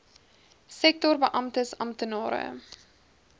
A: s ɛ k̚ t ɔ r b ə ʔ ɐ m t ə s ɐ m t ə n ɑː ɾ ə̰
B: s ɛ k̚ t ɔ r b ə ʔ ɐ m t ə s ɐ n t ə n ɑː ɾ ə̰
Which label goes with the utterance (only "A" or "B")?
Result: A